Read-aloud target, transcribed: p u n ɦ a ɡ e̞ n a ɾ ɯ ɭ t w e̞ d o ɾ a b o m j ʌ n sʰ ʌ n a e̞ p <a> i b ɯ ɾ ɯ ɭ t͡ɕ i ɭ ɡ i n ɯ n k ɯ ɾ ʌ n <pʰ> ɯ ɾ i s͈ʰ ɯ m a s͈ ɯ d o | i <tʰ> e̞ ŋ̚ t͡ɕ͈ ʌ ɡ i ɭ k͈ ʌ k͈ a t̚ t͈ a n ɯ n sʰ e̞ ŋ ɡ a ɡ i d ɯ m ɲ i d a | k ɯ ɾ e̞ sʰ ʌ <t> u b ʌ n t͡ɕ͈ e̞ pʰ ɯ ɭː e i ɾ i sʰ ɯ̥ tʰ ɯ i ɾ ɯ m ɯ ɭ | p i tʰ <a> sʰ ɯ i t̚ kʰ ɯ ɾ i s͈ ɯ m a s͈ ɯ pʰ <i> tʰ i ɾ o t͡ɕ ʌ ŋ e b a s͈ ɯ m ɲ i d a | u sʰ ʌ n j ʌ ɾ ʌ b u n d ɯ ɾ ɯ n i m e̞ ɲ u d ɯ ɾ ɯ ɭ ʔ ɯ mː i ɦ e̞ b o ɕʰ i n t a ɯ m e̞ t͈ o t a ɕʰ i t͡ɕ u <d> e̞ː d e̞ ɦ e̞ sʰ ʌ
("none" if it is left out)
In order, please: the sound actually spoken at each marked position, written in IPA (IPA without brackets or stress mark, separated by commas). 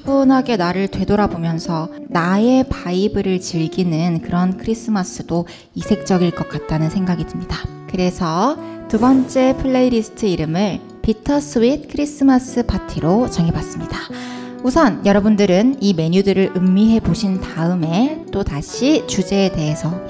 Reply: a, kʰ, sʰ, t, ʌ, a, d͡ʑ